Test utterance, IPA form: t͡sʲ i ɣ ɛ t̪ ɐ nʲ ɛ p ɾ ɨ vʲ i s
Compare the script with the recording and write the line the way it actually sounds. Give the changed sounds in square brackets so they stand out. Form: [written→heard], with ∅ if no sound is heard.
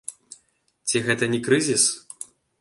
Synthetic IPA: t͡sʲ i ɣ ɛ t̪ ɐ nʲ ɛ [p→k] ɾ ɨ [vʲ→zʲ] i s